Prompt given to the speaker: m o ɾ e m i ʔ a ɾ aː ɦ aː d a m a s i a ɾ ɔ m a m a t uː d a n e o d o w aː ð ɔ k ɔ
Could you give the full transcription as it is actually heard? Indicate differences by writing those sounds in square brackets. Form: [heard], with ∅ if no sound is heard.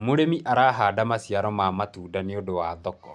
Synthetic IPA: m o ɾ e m i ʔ a ɾ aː ɦ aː d a m a s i a ɾ ɔ m a m a t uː d a n e o d o w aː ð ɔ k ɔ